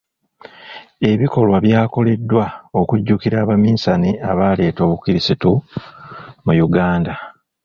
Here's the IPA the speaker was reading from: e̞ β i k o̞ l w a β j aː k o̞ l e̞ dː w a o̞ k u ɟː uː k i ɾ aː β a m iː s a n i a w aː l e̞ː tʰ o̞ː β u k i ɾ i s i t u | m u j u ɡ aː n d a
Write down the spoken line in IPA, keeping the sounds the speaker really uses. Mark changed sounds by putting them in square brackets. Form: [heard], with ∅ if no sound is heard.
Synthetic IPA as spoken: e̞ β i k o̞ l w a β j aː k o̞ l e̞ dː w a o̞ k u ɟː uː k i ɾ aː β a m iː s a n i a [β] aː l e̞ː [t] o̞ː β u k i ɾ i s i t u | m u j u ɡ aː n d a